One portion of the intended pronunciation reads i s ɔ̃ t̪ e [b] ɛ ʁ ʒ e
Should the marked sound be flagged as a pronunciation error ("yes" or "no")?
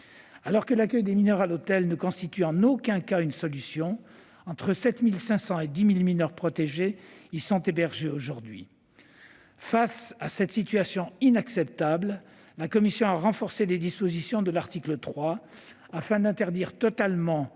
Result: no